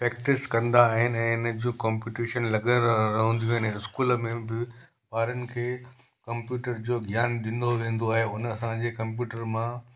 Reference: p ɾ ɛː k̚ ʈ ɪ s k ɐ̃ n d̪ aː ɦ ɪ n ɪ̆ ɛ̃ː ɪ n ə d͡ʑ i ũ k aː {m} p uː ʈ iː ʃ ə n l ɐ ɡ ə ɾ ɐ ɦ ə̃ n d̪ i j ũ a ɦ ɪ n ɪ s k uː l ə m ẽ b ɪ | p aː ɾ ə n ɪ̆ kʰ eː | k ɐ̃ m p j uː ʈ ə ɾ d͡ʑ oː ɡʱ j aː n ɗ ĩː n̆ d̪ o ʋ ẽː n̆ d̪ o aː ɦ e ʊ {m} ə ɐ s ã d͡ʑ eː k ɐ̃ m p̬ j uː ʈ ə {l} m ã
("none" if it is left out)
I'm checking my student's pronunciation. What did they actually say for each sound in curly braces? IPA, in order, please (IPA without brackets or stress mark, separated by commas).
m, n, ɾ